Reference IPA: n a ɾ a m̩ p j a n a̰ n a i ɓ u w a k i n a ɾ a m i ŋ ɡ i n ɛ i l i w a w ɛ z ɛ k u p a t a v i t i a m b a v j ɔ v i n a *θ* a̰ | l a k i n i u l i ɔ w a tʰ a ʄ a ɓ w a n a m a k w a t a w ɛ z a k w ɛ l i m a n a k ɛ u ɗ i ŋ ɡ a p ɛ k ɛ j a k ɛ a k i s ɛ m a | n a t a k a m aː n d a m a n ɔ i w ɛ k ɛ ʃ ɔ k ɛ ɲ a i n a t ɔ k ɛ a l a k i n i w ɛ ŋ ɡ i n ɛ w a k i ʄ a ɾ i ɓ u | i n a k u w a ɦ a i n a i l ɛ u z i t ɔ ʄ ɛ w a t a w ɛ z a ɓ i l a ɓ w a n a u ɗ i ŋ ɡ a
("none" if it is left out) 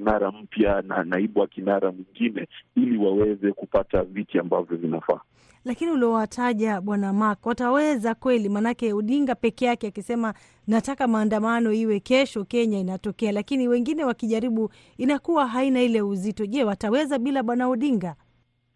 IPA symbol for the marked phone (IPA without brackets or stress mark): f